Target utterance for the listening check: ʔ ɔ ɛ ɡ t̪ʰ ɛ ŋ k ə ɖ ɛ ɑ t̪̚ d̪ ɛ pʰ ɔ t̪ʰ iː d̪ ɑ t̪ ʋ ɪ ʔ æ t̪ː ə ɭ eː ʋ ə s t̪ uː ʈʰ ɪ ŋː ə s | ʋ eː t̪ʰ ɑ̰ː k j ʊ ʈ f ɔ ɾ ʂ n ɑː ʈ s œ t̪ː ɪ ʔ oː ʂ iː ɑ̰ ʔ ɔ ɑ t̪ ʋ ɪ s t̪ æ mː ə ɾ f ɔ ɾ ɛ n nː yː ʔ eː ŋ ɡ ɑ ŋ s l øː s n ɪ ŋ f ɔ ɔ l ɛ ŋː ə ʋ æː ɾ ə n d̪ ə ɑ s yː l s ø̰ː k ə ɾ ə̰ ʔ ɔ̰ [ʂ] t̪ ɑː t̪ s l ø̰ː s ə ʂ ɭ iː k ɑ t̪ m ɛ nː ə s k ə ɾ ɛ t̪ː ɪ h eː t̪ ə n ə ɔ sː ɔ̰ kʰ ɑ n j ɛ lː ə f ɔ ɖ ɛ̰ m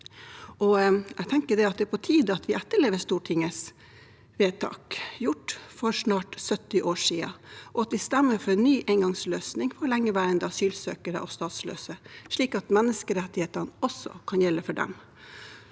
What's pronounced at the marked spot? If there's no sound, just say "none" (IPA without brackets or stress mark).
s